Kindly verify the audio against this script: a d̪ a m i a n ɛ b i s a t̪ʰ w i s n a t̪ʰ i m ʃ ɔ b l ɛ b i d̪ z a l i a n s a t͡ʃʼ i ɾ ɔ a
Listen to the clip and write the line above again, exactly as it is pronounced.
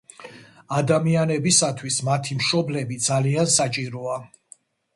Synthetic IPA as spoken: a d̪ a m i a n ɛ b i s a t̪ʰ w i s m a t̪ʰ i m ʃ ɔ b l ɛ b i d̪ z a l i a n s a t͡ʃʼ i ɾ ɔ a

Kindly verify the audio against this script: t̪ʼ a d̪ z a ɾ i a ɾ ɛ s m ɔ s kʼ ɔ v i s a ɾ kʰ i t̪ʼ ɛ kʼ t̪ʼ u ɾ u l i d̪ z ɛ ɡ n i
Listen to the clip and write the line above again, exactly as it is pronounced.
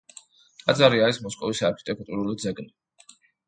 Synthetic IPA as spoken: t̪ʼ a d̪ z a ɾ i a ɾ i s m ɔ s kʼ ɔ v i s a ɾ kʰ i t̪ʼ ɛ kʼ t̪ʼ u ɾ u l i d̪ z ɛ ɡ n i

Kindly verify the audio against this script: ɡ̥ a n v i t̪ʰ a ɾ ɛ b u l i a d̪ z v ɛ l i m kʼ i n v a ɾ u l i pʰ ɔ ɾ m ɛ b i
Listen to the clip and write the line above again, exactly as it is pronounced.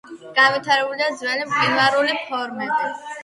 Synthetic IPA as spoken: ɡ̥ a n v i t̪ʰ a ɾ ɛ b u l i a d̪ z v ɛ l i m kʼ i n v a ɾ u l i pʰ ɔ ɾ m ɛ b i

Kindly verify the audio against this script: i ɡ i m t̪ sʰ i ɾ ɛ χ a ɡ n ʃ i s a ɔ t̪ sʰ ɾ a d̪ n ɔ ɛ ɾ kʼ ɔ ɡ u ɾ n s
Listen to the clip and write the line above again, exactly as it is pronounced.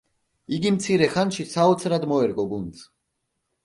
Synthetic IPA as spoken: i ɡ i m t̪ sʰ i ɾ ɛ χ a n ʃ i s a ɔ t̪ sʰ ɾ a d̪ m ɔ ɛ ɾ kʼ ɔ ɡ u n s

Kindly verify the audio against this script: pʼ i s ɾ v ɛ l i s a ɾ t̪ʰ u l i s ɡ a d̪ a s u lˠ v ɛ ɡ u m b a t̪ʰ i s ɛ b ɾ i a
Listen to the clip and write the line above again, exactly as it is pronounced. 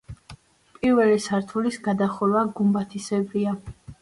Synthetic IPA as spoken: pʼ i ɾ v ɛ l i s a ɾ t̪ʰ u l i s ɡ a d̪ a χ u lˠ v a ɡ u m b a t̪ʰ i s ɛ b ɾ i a

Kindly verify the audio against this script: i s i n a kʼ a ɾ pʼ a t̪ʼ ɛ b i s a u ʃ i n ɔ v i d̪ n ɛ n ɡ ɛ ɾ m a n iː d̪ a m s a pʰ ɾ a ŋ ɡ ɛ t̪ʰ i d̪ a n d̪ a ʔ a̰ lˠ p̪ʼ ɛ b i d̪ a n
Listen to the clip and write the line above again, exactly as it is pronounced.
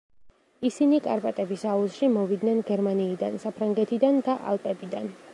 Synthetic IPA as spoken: i s i n i kʼ a ɾ pʼ a t̪ʼ ɛ b i s a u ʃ i m ɔ v i d̪ n ɛ n ɡ ɛ ɾ m a n iː d̪ a n s a pʰ ɾ a ŋ ɡ ɛ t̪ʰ i d̪ a n d̪ a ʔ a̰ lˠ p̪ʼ ɛ b i d̪ a n

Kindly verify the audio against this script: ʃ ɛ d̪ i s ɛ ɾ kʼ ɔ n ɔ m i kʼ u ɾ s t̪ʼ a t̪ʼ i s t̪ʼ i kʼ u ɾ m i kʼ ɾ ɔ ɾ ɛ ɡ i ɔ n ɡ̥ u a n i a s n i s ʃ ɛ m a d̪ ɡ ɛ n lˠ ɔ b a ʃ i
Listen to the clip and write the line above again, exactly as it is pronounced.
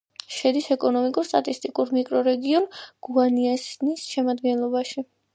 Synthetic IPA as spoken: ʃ ɛ d̪ i s ɛ kʼ ɔ n ɔ m i kʼ u ɾ s t̪ʼ a t̪ʼ i s t̪ʼ i kʼ u ɾ m i kʼ ɾ ɔ ɾ ɛ ɡ i ɔ n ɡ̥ u a n i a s n i s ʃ ɛ m a d̪ ɡ ɛ n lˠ ɔ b a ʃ i

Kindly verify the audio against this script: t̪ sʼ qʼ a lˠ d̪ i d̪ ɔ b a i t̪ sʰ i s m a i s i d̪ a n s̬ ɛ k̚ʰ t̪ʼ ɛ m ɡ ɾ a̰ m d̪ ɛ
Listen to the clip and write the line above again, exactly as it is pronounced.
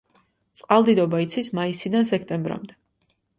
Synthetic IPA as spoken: t̪ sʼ qʼ a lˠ d̪ i d̪ ɔ b a i t̪ sʰ i s m a i s i d̪ a n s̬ ɛ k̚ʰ t̪ʼ ɛ m b ɾ a̰ m d̪ ɛ

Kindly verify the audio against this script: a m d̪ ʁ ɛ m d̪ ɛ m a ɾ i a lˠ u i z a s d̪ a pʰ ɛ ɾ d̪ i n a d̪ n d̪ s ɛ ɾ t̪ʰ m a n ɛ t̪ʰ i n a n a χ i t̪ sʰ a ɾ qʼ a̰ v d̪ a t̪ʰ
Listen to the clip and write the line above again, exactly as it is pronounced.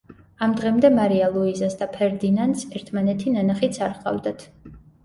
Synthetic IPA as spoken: a m d̪ ʁ ɛ m d̪ ɛ m a ɾ i a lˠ u i z a s d̪ a pʰ ɛ ɾ d̪ i n a n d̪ s ɛ ɾ t̪ʰ m a n ɛ t̪ʰ i n a n a χ i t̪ sʰ a ɾ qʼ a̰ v d̪ a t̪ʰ

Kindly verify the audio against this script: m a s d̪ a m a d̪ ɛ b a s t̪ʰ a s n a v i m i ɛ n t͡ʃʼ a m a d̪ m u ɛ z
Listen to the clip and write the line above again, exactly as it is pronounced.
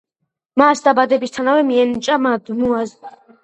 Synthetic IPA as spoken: m a s d̪ a b a d̪ ɛ b i s t̪ʰ a n a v ɛ m i ɛ n t͡ʃʼ a m a d̪ m u a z

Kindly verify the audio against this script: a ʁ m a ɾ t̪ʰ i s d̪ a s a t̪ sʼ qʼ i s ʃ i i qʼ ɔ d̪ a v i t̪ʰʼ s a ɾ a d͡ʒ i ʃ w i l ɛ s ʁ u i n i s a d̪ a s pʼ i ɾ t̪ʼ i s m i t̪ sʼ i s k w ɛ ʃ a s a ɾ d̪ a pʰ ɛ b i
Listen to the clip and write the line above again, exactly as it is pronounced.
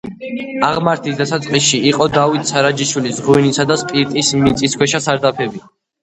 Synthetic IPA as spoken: a ʁ m a ɾ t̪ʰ i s d̪ a s a t̪ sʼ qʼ i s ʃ i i qʼ ɔ d̪ a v i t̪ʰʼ s a ɾ a d͡ʒ i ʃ w i l i s ʁ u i n i s a d̪ a s pʼ i ɾ t̪ʼ i s m i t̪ sʼ i s k w ɛ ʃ a s a ɾ d̪ a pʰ ɛ b i

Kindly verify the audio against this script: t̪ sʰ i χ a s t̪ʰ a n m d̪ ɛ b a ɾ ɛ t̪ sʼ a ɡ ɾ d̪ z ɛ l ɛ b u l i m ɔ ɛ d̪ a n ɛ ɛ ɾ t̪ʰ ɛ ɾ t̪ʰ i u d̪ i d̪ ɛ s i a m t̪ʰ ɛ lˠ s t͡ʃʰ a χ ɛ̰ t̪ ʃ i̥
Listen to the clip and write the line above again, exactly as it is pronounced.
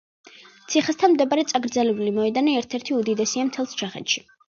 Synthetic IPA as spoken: t̪ sʰ i χ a s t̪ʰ a n m d̪ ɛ b a ɾ ɛ t̪ sʼ a ɡ ɾ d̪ z ɛ l ɛ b u l i m ɔ ɛ d̪ a n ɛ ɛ ɾ t̪ʰ ɛ ɾ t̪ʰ i u d̪ i d̪ ɛ s i a m t̪ʰ ɛ lˠ s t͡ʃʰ a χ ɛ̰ t̪ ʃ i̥

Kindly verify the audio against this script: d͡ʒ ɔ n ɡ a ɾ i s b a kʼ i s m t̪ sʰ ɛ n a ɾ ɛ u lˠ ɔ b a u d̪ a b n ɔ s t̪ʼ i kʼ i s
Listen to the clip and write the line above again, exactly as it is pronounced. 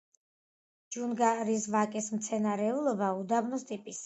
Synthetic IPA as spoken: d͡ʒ u n ɡ a ɾ i s v a kʼ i s m t̪ sʰ ɛ n a ɾ ɛ u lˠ ɔ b a u d̪ a b n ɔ s t̪ʼ i pʼ i s

